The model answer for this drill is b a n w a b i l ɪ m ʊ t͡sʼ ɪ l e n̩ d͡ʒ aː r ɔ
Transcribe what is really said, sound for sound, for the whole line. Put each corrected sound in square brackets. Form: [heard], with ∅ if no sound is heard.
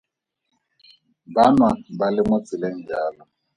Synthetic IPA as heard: b a n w a b [a] l ɪ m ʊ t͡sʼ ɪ l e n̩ d͡ʒ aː [l] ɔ